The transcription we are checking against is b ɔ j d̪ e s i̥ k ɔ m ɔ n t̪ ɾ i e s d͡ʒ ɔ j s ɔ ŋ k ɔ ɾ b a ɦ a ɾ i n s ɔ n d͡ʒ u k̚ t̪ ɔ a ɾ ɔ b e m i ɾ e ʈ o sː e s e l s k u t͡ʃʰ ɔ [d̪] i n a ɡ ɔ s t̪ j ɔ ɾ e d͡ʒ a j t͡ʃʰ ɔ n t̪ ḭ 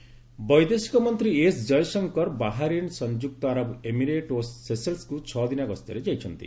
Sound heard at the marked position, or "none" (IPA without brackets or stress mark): d̪